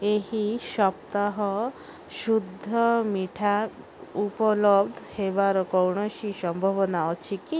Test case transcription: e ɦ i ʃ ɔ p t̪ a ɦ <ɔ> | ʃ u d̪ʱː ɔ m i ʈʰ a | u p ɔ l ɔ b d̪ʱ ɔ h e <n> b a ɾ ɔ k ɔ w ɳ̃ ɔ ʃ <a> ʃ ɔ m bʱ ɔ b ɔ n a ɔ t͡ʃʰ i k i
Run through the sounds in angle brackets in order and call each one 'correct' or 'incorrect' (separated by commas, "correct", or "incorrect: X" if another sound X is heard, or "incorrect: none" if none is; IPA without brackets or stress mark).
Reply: correct, incorrect: none, incorrect: i